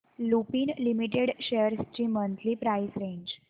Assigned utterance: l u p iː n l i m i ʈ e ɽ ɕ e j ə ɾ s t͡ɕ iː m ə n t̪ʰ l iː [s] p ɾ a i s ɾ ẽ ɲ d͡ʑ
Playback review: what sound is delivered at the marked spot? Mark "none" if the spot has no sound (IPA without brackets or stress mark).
none